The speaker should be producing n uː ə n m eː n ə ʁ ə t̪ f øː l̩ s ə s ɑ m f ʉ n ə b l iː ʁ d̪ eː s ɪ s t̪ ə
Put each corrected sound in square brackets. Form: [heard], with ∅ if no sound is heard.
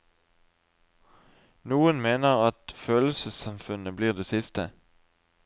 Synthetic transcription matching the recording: n uː ə n m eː n ə ʁ [ɑ] t̪ f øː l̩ s ə s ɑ m f ʉ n ə b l iː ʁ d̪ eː s ɪ s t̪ ə

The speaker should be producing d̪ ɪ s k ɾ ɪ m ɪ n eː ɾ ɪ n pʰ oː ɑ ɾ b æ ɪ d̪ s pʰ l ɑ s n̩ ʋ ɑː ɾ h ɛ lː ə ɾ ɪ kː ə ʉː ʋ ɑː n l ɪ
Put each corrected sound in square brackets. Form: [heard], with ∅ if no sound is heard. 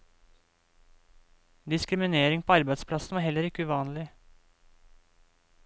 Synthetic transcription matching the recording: d̪ ɪ s k ɾ ɪ m ɪ n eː ɾ ɪ [ŋ] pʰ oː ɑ ɾ b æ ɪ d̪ s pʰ l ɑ s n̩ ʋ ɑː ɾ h ɛ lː ə ɾ ɪ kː ə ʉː ʋ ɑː n l ɪ

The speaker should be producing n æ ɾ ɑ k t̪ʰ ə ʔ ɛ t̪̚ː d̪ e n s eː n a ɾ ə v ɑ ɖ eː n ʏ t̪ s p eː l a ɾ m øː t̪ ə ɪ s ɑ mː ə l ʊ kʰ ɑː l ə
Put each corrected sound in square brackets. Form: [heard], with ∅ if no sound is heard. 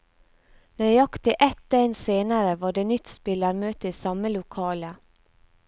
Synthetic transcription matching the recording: n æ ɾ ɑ k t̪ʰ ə ʔ ɛ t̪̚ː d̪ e n s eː n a ɾ ə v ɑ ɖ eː n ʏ t̪ s p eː l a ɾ m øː t̪ ə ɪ s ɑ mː ə l ʊ kʰ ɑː l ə

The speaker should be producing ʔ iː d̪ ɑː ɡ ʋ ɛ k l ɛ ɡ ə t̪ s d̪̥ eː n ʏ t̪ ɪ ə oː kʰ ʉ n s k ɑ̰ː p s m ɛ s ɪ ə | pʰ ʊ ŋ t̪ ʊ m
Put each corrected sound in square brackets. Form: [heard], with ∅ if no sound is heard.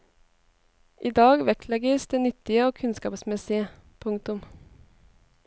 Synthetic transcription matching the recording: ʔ iː d̪ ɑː ɡ ʋ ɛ k l ɛ ɡ ə [∅] s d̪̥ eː n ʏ t̪ ɪ ə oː kʰ ʉ n s k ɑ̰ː p s m ɛ s ɪ ə | pʰ ʊ ŋ t̪ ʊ m

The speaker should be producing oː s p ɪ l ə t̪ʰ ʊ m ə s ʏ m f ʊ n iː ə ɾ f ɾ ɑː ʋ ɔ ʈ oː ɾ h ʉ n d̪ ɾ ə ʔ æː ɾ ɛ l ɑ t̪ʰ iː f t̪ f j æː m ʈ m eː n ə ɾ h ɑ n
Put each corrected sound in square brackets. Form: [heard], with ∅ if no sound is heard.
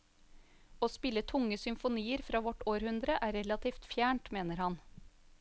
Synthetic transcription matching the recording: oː s p ɪ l ə t̪ʰ ʊ [ŋ] ə s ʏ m f ʊ n iː ə ɾ f ɾ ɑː ʋ ɔ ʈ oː ɾ h ʉ n d̪ ɾ ə ʔ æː ɾ ɛ l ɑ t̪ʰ iː f t̪ f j æː [ɳ] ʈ m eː n ə ɾ h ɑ n

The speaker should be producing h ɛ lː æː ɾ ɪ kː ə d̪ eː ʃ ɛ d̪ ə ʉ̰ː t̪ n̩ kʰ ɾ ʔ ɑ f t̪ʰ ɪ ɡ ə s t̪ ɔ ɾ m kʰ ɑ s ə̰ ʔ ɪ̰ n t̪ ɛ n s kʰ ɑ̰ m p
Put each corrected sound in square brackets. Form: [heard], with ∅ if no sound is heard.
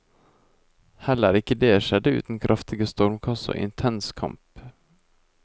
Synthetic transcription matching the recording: h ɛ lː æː ɾ ɪ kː ə d̪ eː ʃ ɛ d̪ ə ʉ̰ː t̪ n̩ kʰ ɾ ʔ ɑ f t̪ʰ ɪ ɡ ə s t̪ ɔ ɾ m kʰ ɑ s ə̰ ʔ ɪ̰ n [t̪ʰ] ɛ n s kʰ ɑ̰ m p

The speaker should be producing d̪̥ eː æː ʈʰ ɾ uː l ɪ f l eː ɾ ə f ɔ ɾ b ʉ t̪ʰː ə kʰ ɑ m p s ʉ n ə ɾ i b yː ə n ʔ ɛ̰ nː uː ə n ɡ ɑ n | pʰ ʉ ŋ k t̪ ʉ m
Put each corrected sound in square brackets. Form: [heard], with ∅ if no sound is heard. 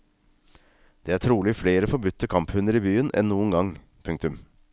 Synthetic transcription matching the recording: d̪̥ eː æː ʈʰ ɾ uː l ɪ f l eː ɾ ə f ɔ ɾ b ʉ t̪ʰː ə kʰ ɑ m p [h] ʉ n ə ɾ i b yː ə n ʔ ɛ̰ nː uː ə n ɡ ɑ [ŋ] | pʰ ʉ ŋ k t̪ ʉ m

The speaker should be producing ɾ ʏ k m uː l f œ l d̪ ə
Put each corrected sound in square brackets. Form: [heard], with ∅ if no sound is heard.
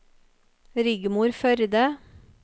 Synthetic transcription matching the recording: ɾ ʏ [ɡ] m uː [ɾ] f œ [ɾ] d̪ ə

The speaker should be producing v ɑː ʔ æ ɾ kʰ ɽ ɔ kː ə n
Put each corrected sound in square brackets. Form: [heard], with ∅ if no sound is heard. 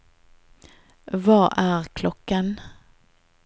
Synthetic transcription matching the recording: v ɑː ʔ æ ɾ kʰ [l] ɔ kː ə n

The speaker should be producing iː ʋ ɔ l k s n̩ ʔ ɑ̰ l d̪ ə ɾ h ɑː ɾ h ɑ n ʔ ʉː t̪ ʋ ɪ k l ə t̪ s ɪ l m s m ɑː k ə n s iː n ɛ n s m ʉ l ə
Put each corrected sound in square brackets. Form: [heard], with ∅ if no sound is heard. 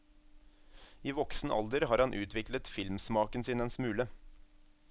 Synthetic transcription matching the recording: iː ʋ ɔ [∅] k s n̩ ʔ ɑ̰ l d̪ ə ɾ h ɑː ɾ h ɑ n ʔ ʉː t̪ ʋ ɪ k l ə t̪ [f] ɪ l m s m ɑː k ə n s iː n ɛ n s m [ʉː] l ə

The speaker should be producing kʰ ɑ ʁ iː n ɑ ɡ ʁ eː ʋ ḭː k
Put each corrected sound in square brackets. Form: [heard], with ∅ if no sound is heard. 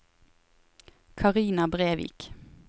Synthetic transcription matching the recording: kʰ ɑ ʁ iː n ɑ [b] ʁ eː ʋ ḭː k

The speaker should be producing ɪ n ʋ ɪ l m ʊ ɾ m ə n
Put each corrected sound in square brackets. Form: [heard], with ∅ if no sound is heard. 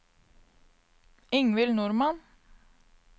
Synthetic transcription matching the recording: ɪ [ŋ] ʋ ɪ l [n] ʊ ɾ m [ɑ] n

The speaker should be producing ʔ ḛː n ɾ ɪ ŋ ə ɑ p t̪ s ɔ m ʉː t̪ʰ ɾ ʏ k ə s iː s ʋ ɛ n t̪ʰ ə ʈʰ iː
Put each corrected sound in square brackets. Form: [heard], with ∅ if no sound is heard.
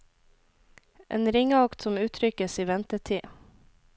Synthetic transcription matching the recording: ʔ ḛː n ɾ ɪ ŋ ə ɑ [k] t̪ s ɔ m ʉː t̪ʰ ɾ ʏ k ə s iː [∅] ʋ ɛ n [t̪] ə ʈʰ iː

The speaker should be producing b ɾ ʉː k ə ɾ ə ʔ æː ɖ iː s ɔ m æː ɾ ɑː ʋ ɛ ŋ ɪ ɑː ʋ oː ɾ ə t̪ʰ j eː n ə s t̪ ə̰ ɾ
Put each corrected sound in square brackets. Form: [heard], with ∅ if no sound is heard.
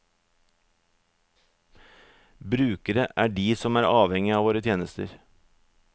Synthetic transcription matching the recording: b ɾ ʉː k ə ɾ ə ʔ æː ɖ iː s ɔ m æː ɾ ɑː ʋ ɛ ŋ ɪ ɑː ʋ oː ɾ ə t̪ʰ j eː n ə s t̪ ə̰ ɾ

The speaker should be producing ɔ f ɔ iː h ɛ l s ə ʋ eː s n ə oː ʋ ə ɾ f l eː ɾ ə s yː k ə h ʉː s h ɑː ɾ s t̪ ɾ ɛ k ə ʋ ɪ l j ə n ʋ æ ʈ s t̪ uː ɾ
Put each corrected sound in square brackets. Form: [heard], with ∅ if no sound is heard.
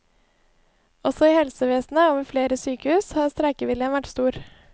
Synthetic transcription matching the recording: ɔ [s] ɔ iː h ɛ l s ə ʋ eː s n ə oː ʋ ə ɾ f l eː ɾ ə s yː k ə h ʉː s h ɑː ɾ s t̪ ɾ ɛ k ə ʋ ɪ l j ə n ʋ æ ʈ s t̪ uː ɾ

